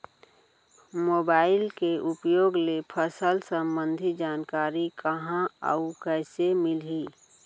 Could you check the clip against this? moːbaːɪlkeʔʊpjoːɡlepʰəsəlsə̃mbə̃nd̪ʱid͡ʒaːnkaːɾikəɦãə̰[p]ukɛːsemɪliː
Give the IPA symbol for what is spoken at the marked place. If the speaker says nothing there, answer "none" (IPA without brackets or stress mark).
none